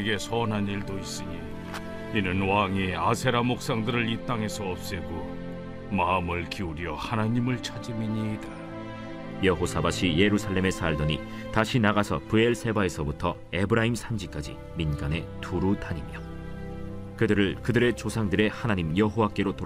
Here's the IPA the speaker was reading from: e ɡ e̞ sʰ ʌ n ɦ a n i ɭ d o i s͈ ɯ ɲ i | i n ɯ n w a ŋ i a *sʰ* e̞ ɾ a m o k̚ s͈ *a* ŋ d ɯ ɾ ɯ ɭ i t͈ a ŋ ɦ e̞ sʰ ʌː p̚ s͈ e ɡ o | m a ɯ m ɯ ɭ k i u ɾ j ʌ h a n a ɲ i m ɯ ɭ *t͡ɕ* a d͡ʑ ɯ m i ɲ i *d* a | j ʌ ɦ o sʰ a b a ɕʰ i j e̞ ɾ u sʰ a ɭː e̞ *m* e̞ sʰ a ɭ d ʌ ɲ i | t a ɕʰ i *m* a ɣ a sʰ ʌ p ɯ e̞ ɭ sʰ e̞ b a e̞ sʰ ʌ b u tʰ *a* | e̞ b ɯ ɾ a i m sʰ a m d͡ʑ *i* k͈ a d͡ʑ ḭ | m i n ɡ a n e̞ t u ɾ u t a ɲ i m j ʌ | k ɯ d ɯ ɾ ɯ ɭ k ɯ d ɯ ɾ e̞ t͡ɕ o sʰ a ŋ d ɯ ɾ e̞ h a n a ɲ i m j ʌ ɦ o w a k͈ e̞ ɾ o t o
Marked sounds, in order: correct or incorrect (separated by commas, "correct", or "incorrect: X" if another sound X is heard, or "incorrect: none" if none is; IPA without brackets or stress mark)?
correct, correct, incorrect: t͡ɕʰ, correct, correct, incorrect: n, incorrect: ʌ, correct